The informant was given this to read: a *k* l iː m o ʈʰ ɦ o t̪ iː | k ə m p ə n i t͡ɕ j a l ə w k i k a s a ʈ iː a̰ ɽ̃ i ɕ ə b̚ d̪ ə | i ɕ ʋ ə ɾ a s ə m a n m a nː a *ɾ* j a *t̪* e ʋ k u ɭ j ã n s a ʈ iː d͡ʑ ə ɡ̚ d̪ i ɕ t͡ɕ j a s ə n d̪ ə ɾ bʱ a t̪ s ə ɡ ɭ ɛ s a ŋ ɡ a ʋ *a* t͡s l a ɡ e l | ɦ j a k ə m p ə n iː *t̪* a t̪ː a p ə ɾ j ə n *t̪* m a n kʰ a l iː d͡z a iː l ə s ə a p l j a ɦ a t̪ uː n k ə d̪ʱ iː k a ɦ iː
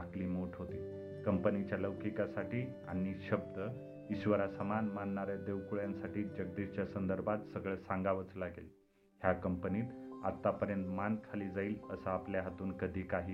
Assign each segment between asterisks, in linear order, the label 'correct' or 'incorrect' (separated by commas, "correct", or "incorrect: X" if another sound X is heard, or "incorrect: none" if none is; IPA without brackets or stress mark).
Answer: correct, correct, incorrect: d̪, incorrect: ə, correct, correct